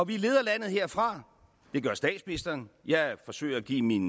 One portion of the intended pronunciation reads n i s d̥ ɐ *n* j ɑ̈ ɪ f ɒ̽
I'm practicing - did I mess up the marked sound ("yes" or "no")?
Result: no